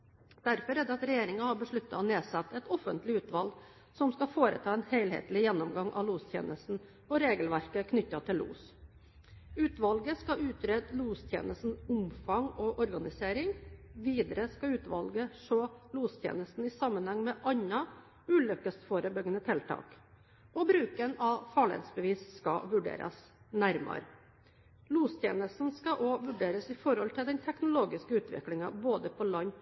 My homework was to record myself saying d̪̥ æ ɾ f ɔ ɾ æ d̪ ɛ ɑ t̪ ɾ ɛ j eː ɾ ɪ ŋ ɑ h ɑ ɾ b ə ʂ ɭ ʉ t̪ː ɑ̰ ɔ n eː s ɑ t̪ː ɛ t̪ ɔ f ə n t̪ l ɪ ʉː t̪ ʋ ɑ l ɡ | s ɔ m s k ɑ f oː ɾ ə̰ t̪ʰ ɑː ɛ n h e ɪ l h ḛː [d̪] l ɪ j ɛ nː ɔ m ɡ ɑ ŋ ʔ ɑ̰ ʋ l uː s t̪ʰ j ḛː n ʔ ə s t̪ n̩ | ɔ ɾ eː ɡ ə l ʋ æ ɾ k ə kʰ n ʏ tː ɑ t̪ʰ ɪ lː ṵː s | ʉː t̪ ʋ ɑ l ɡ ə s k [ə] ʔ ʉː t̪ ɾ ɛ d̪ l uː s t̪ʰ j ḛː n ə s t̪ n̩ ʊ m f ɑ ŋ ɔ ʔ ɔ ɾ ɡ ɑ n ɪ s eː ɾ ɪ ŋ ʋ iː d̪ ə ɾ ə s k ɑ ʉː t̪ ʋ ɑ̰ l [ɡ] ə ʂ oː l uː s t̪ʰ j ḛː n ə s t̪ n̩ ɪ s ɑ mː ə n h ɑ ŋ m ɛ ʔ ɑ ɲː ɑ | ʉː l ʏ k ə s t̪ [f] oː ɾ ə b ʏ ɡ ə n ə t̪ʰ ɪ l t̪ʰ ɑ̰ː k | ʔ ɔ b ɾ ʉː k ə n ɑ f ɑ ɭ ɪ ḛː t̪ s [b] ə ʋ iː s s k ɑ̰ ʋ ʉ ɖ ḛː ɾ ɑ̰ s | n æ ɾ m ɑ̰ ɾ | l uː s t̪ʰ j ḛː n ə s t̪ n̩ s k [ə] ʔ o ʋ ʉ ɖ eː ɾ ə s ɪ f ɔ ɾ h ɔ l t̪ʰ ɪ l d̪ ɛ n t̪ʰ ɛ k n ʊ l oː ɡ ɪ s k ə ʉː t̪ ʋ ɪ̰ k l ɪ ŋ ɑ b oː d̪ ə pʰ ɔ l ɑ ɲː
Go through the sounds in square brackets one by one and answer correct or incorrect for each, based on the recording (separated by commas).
incorrect, incorrect, correct, correct, correct, incorrect